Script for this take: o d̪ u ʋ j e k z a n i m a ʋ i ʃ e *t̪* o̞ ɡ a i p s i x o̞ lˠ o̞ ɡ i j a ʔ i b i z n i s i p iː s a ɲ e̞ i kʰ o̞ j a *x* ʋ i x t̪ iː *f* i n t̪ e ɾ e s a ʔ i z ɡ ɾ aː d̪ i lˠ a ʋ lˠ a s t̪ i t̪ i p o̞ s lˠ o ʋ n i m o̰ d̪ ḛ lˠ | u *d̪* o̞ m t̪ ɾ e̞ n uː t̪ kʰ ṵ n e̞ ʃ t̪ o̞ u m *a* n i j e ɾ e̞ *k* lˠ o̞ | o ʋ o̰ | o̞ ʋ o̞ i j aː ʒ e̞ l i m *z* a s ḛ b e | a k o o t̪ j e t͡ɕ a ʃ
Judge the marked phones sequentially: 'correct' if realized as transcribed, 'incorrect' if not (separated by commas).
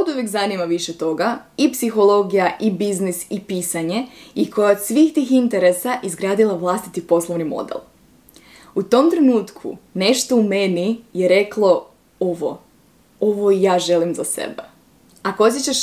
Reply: correct, incorrect, incorrect, incorrect, incorrect, correct, correct